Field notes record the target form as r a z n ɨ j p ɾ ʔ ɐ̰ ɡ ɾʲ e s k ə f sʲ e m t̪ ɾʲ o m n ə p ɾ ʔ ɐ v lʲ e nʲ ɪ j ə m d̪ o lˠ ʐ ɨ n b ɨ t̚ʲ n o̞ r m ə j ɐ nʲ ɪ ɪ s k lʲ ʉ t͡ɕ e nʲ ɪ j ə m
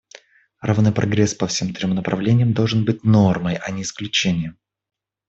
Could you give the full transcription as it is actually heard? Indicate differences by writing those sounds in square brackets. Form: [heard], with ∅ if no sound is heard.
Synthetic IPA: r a [v] n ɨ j p ɾ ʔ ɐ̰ ɡ ɾʲ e s [p] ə f sʲ e m t̪ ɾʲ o m n ə p ɾ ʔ ɐ v lʲ e nʲ ɪ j ə m d̪ o lˠ ʐ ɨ n b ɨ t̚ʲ n o̞ r m ə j ɐ nʲ ɪ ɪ s k lʲ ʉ t͡ɕ e nʲ ɪ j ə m